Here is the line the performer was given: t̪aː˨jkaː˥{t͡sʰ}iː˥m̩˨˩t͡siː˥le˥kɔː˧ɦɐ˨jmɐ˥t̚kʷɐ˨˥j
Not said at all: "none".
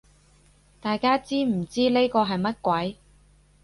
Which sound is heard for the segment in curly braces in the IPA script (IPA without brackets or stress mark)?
t͡s